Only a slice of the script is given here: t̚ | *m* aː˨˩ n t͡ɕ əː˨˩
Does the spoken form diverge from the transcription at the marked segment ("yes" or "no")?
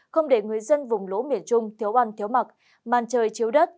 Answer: no